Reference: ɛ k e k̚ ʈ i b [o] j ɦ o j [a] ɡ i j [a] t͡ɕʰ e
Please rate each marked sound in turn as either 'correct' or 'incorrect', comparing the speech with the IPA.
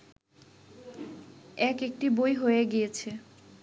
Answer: correct, incorrect: e, incorrect: e

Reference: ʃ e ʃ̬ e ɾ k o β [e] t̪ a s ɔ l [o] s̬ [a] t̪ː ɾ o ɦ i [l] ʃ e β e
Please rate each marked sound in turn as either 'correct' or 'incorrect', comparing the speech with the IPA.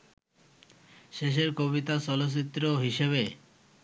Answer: incorrect: i, correct, incorrect: i, incorrect: none

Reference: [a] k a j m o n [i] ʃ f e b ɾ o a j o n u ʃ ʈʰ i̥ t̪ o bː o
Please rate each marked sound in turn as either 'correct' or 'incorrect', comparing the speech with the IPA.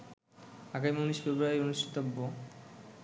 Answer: correct, correct

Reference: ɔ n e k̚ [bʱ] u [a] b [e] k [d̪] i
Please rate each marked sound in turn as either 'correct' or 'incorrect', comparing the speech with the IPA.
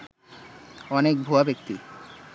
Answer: correct, correct, correct, incorrect: t̪

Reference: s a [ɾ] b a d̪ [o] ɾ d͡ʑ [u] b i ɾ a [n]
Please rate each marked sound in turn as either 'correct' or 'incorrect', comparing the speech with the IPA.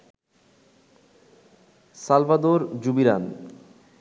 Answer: incorrect: l, correct, correct, correct

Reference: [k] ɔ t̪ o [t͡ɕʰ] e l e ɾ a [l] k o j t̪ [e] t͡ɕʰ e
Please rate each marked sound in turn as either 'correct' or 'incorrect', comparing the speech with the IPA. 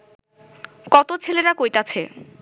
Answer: correct, correct, incorrect: none, incorrect: a

